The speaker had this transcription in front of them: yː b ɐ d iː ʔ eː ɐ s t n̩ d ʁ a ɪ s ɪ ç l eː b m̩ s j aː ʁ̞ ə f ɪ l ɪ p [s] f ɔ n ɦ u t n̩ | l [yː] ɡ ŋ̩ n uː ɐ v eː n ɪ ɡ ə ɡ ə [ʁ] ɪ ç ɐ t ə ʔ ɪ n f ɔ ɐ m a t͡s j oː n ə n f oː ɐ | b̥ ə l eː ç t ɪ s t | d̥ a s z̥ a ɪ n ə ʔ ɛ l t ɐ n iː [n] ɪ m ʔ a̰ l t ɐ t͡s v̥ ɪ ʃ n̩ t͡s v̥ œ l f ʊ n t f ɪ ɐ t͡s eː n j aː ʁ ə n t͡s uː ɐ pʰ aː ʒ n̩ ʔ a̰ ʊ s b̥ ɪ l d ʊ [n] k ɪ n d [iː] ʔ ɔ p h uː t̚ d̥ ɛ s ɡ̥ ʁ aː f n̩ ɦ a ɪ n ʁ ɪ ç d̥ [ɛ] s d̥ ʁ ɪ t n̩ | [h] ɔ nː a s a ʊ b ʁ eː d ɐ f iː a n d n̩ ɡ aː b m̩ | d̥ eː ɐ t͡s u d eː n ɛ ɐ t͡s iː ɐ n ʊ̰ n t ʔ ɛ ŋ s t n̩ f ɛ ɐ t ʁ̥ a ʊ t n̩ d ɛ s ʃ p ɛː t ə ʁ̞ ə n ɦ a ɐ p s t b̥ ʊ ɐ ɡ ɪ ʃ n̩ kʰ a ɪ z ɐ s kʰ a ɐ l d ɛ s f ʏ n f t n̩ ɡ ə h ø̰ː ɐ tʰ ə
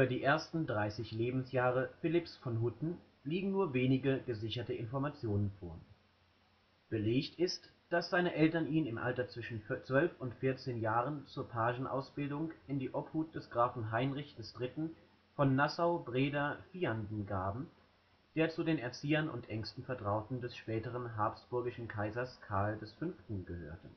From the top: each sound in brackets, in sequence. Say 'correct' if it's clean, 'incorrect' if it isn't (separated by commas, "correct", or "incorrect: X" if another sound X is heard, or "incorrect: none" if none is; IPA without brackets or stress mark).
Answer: correct, incorrect: iː, incorrect: z, correct, incorrect: ŋ, correct, correct, incorrect: f